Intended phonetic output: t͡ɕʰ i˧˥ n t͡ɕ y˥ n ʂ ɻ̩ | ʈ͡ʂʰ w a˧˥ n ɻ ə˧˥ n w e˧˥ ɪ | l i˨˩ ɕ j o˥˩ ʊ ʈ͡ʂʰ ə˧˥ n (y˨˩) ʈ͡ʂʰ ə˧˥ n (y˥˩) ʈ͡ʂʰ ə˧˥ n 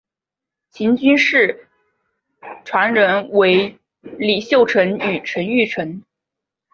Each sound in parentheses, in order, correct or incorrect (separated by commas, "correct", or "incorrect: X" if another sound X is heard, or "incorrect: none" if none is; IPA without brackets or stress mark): correct, correct